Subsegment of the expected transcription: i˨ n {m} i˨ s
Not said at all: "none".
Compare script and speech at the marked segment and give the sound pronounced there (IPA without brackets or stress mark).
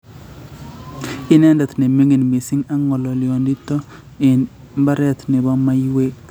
m